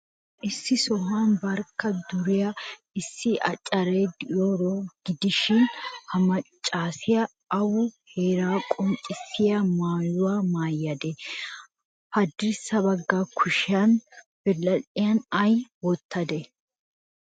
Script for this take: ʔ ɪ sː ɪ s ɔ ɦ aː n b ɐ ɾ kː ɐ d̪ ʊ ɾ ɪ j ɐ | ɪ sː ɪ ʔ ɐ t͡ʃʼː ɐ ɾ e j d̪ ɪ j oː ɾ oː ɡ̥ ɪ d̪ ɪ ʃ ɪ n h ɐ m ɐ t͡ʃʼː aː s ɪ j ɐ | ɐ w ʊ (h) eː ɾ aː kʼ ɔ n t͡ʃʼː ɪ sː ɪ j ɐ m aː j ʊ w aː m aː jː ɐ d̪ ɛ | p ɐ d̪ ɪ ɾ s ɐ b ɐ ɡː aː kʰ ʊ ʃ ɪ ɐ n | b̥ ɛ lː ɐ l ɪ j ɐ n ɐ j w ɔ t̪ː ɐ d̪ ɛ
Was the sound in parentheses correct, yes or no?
yes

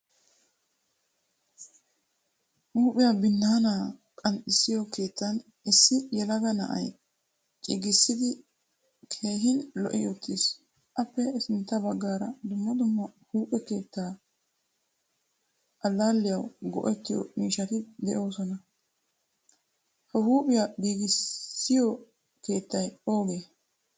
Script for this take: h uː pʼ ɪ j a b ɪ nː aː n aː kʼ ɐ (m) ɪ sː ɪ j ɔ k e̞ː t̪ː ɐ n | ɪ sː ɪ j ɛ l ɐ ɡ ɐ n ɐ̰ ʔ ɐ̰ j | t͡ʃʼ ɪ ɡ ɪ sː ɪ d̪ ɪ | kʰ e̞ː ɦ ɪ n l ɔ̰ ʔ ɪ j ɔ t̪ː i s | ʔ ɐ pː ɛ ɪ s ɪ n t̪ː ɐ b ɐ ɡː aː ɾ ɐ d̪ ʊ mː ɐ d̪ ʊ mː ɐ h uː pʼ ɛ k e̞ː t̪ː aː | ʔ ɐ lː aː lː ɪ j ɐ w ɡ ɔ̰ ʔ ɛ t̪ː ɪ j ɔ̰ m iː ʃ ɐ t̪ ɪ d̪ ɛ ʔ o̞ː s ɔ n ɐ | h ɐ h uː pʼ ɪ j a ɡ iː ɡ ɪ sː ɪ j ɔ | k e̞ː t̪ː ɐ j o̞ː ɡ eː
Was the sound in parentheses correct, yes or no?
no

